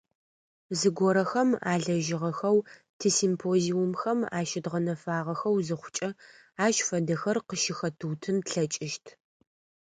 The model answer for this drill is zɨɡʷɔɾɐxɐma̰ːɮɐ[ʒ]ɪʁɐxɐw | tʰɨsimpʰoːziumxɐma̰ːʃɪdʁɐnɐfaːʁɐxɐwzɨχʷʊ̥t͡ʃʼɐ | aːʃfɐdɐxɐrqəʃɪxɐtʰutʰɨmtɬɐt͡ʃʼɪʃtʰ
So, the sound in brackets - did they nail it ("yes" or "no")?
yes